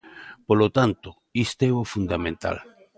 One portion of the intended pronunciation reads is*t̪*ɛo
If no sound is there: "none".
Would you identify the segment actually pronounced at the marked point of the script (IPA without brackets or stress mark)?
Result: t̪